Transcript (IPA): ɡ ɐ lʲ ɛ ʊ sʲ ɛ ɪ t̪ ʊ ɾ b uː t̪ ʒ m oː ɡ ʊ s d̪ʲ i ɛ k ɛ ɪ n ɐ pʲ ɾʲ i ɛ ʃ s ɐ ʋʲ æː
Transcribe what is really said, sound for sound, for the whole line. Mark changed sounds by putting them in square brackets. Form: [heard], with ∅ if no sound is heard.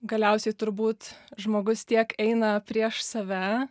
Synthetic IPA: ɡ ɐ lʲ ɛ ʊ sʲ ɛ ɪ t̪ ʊ ɾ b uː t̪ ʒ m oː ɡ ʊ s [t̪ʲ] i ɛ k ɛ ɪ n ɐ pʲ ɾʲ i ɛ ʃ s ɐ ʋʲ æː